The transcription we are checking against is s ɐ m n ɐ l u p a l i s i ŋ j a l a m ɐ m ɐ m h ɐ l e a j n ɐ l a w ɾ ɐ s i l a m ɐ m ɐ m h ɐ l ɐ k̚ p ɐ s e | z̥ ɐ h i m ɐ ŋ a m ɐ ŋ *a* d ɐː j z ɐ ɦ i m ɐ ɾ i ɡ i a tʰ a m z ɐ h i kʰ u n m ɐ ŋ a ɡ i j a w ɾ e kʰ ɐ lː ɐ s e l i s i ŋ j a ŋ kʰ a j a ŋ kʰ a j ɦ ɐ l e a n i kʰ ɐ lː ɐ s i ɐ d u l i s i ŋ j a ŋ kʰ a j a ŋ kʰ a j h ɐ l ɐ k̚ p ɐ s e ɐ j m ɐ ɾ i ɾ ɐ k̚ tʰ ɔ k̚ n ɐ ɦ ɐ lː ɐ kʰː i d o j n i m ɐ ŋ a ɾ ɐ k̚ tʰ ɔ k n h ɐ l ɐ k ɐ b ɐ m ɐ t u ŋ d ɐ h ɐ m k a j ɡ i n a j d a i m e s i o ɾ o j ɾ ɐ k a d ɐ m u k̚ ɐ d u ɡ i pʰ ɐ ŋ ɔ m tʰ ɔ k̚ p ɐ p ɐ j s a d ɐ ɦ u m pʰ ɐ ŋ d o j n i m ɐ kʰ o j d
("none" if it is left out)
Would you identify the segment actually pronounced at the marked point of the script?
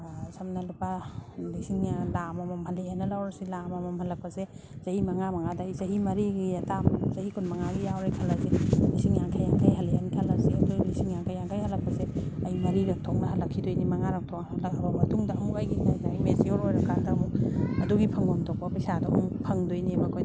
a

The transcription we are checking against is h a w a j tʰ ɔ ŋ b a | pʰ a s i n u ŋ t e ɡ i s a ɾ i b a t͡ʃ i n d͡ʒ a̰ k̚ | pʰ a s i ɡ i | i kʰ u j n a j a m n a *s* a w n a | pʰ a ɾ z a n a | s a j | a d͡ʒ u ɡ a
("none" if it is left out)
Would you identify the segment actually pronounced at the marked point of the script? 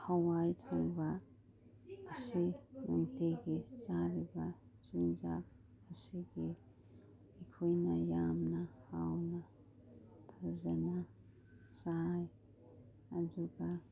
h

